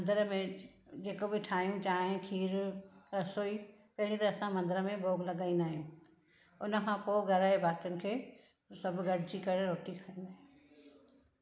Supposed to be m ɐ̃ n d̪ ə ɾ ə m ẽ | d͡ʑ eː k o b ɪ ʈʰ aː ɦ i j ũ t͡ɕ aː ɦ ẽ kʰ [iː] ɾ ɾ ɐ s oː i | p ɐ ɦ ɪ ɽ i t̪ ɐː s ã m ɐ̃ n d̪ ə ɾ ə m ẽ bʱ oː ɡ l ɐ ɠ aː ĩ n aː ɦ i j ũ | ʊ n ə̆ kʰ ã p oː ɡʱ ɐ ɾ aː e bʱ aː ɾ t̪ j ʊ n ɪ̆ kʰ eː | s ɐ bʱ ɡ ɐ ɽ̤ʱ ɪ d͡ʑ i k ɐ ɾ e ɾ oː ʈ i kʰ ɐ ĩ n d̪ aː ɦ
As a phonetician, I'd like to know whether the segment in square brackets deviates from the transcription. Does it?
no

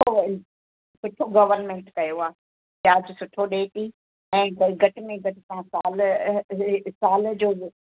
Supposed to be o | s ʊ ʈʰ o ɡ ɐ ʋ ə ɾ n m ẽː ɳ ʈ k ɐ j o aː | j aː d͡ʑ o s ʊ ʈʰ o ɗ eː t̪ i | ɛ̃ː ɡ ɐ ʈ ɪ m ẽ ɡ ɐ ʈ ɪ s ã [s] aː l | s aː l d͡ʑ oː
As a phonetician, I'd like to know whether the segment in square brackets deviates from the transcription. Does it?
no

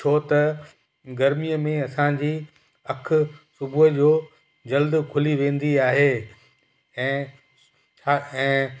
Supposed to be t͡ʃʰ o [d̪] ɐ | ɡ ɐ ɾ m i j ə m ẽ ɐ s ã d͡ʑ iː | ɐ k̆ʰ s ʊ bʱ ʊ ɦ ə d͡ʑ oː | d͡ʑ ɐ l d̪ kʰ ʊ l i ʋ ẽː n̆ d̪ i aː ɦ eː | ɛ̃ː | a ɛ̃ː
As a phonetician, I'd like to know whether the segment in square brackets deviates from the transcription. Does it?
yes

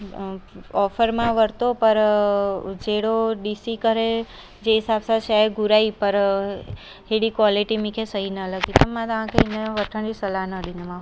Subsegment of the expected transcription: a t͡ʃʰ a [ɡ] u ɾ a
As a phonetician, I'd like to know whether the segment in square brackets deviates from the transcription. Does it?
no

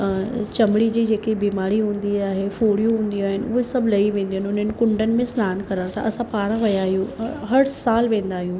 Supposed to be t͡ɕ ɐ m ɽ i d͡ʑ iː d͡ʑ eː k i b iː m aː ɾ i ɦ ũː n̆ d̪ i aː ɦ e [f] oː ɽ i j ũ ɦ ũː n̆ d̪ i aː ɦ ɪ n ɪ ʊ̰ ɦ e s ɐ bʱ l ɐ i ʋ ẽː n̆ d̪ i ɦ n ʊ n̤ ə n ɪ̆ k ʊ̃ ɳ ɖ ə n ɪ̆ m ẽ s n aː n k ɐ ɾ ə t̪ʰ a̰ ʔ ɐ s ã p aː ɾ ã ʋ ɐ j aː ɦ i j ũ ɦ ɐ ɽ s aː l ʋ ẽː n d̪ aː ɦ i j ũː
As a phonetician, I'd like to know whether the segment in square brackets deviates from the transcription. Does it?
no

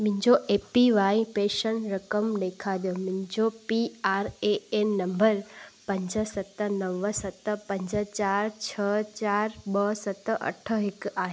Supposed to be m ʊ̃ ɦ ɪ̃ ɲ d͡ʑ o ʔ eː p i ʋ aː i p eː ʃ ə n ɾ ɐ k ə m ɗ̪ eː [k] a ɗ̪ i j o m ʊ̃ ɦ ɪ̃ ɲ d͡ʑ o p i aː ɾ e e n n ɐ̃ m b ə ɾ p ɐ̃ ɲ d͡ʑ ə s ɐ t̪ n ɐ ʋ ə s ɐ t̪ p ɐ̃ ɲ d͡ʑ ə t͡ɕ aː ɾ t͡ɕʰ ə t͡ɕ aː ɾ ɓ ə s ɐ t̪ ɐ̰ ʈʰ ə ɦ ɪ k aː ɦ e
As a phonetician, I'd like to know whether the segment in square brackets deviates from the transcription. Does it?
yes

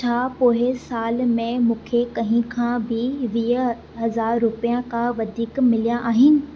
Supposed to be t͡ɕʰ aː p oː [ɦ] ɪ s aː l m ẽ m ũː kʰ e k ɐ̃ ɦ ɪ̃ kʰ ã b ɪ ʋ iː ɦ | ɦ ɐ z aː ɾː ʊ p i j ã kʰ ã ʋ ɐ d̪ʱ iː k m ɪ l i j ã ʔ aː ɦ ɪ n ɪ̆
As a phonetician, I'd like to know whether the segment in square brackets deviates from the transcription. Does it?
no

